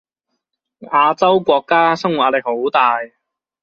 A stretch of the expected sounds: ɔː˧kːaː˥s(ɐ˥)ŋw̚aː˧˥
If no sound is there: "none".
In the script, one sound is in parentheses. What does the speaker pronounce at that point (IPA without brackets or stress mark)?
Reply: ɐ˥